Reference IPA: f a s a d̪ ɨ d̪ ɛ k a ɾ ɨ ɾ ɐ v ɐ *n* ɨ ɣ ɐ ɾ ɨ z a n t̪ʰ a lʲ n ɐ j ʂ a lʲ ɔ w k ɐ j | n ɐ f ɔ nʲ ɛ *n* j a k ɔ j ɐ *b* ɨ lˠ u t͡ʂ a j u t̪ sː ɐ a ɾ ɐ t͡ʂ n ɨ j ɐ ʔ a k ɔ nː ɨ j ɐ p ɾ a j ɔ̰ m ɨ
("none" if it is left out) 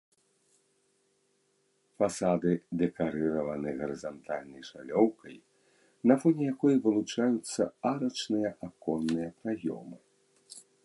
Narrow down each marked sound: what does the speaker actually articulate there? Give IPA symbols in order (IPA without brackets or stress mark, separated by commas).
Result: n, none, v